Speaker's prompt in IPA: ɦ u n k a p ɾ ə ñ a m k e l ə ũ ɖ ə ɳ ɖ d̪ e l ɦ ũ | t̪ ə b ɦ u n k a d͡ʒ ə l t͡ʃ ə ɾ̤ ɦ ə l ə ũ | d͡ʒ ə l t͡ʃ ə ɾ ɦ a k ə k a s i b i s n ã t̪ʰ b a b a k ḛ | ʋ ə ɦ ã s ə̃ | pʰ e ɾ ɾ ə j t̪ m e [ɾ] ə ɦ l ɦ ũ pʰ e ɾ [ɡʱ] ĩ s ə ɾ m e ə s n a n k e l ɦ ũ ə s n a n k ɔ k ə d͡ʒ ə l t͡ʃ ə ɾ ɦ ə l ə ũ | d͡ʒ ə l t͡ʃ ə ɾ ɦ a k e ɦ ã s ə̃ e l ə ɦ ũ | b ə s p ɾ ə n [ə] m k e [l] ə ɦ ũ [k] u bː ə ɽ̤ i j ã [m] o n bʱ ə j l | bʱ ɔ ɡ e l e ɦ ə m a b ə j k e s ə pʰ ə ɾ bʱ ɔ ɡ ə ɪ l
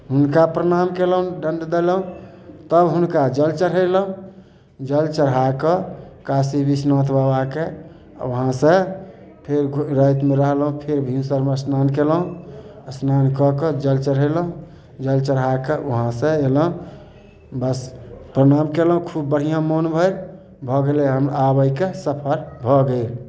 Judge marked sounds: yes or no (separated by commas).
yes, no, no, yes, no, yes